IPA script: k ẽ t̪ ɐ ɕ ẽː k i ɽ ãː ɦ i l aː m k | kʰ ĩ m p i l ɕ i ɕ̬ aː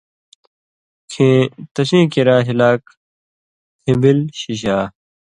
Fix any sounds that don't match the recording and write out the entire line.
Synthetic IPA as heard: kʰ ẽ t̪ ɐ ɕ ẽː k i ɾ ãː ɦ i l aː k | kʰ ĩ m b i l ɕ i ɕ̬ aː